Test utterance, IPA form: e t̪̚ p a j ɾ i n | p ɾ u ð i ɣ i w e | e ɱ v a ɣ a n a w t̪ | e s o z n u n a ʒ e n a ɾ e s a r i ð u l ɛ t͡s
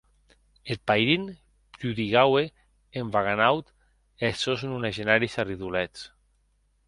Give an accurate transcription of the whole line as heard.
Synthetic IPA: e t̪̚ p a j ɾ i n | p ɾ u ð i ɣ a w e | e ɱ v a ɣ a n a w t̪ | e s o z n u n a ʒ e n a ɾ i s a r i ð u l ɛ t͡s